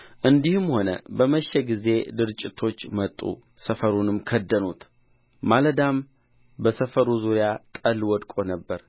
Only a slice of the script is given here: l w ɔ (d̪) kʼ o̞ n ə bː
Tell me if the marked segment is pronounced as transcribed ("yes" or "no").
yes